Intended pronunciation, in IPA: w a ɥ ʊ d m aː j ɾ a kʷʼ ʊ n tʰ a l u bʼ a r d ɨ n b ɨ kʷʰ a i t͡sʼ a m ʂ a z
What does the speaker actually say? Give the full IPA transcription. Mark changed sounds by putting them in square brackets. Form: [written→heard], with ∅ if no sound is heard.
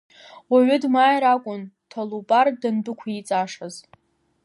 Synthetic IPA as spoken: w a ɥ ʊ d m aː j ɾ a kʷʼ ʊ n tʰ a l u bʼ a r d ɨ n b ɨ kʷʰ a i t͡sʼ a [m→∅] ʂ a z